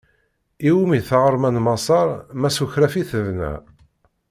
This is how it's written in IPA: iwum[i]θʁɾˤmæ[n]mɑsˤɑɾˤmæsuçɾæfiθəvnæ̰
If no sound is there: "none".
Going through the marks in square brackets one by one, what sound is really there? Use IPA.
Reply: i, n

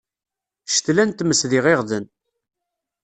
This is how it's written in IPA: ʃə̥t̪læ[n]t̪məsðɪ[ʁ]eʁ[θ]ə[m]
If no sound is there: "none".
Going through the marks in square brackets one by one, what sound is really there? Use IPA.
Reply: n, ʁ, ð, n

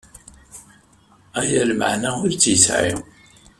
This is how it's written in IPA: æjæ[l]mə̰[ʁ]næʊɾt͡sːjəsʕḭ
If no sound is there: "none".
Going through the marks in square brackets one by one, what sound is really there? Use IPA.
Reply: l, ʕ

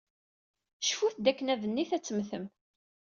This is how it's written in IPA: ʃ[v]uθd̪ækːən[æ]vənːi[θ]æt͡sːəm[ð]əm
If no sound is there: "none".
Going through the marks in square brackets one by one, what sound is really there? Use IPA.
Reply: f, æ, θ, θ

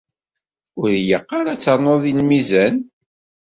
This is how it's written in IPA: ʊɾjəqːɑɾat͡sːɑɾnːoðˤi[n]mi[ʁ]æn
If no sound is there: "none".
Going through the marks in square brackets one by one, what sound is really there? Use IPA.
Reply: n, z

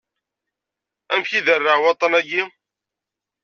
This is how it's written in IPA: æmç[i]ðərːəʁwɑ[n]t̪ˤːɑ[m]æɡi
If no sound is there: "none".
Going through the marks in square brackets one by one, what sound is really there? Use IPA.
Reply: i, none, n

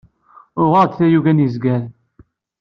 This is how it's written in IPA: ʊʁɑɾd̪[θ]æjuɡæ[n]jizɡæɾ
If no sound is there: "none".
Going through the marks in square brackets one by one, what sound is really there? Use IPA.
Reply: θ, n

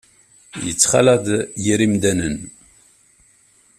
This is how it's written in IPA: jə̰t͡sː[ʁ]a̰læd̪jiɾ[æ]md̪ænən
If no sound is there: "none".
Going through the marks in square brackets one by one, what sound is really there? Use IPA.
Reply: χ, i

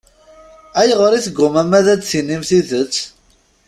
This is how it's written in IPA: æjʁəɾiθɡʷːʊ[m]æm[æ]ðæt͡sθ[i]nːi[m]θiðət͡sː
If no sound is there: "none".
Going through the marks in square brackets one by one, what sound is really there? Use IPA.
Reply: m, æ, i, m

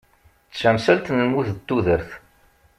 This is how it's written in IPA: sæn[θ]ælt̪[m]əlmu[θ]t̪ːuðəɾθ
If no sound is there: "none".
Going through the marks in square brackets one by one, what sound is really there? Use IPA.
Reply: s, n, θ

